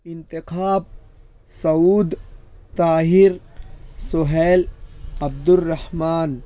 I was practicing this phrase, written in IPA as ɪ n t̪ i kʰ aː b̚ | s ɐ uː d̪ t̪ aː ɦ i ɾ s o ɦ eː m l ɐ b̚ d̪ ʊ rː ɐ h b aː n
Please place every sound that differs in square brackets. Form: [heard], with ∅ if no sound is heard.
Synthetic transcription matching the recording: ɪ n t̪ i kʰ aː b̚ | s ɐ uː d̪ t̪ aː ɦ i ɾ s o ɦ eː [∅] l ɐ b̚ d̪ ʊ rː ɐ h [m] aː n